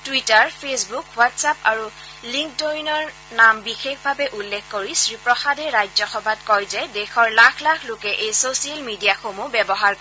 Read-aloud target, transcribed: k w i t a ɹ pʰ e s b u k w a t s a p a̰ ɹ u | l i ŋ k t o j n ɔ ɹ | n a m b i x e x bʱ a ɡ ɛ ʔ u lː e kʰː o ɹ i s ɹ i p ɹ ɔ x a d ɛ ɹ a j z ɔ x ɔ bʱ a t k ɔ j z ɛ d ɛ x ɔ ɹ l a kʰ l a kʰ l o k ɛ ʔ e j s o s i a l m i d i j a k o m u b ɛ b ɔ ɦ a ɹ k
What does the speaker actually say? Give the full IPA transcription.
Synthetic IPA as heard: t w i t a ɹ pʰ e s b u k w a t s a p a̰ ɹ u | l i ŋ k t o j n ɔ ɹ | n a m b i x e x bʱ a b ɛ ʔ u lː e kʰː o ɹ i s ɹ i p ɹ ɔ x a d ɛ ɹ a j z ɔ x ɔ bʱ a t k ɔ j z ɛ d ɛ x ɔ ɹ l a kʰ l a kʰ l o k ɛ ʔ e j s o s i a l m i d i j a x o m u b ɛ b ɔ ɦ a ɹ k